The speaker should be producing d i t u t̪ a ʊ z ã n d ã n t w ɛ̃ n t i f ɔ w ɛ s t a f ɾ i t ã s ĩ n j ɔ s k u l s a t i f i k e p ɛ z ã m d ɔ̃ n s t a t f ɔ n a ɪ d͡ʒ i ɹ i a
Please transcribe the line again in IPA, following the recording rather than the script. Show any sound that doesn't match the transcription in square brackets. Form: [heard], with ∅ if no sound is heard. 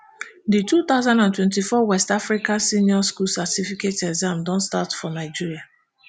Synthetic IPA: d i t u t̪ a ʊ z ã n d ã n t w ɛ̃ n t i f ɔ w ɛ s t a f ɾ i [k] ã s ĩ n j ɔ s k u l s a t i f i k e [t] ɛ z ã m d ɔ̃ n s t a t f ɔ n a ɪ d͡ʒ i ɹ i a